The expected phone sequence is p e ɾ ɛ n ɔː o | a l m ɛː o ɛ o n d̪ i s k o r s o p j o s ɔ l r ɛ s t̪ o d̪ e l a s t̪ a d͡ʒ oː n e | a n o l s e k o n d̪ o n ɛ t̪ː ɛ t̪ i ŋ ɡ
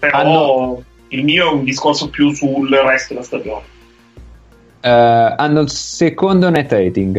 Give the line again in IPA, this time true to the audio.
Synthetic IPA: p e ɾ a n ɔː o | i l m iː o ɛ u n d̪ i s k o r s o p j u s u l r ɛ s t̪ o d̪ e l a s t̪ a d͡ʒ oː n e | a nː o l s e k o n d̪ o n ɛ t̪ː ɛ t̪ i ŋ ɡ